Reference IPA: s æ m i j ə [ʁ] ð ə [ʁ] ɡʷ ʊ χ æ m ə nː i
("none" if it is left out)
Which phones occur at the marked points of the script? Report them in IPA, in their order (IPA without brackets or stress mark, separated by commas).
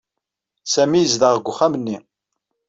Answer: z, ʁ